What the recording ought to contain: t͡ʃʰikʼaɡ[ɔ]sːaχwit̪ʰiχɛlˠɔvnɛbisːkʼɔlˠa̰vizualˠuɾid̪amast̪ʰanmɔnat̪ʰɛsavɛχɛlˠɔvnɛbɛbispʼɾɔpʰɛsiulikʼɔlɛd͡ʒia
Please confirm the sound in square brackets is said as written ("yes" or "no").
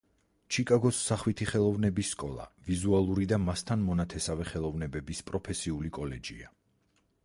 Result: yes